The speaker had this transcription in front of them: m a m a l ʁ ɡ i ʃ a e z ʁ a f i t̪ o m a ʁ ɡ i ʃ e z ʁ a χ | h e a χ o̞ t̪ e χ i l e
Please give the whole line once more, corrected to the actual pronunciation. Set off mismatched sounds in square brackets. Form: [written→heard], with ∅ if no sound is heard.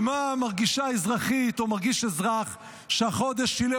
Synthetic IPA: m a m a [l→∅] ʁ ɡ i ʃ a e z ʁ a [f→χ] i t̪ o m a ʁ ɡ i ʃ e z ʁ a χ | [h→ʃ] e a χ o̞ [t̪→d̪] e [χ→ʃ] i l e